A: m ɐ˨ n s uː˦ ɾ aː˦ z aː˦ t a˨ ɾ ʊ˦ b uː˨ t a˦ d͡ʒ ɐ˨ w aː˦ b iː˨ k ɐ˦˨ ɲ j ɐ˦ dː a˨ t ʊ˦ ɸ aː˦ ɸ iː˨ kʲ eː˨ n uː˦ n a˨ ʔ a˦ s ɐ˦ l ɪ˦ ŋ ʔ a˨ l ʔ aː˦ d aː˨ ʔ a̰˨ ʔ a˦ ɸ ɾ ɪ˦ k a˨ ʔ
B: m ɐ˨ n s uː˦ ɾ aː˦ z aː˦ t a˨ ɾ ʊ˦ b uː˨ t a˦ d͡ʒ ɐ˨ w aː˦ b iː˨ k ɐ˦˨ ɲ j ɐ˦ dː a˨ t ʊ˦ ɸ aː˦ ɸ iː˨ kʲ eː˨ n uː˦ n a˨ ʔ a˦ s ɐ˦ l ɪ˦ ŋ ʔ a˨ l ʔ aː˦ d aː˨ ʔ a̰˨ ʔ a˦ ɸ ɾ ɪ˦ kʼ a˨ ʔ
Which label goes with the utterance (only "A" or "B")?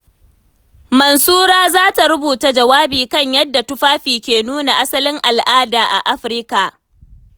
A